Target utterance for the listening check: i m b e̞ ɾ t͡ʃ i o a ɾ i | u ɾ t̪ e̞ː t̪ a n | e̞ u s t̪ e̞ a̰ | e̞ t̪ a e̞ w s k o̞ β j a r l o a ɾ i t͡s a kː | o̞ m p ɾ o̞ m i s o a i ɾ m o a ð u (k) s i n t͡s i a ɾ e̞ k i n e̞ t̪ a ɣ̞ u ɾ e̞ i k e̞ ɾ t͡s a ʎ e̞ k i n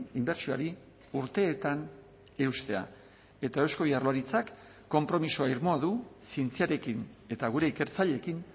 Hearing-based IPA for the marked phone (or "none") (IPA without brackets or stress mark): none